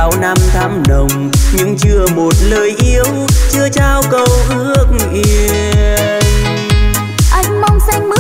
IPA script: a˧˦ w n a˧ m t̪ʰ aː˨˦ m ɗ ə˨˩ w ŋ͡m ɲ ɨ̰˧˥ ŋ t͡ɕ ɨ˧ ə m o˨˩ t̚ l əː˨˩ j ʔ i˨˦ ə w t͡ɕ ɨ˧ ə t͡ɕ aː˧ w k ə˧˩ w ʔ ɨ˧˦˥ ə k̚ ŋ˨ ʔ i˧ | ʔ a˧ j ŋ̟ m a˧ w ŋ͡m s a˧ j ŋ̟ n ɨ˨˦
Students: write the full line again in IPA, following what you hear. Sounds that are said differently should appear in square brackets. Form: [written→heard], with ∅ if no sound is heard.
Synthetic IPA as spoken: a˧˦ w n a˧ m t̪ʰ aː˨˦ m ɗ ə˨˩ w ŋ͡m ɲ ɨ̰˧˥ ŋ t͡ɕ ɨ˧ ə m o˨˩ t̚ l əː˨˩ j ʔ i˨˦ ə w t͡ɕ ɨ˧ ə t͡ɕ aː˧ w k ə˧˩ w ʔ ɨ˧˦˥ ə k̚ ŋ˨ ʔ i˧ | ʔ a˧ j ŋ̟ m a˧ w ŋ͡m s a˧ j ŋ̟ [n→m] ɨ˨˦